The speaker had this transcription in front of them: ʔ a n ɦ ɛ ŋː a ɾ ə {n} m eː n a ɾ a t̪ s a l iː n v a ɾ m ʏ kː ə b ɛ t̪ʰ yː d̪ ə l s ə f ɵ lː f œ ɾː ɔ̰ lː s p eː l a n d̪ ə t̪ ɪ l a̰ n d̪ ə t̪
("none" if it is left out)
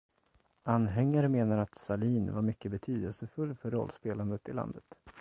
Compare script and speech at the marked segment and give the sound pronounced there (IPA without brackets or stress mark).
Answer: none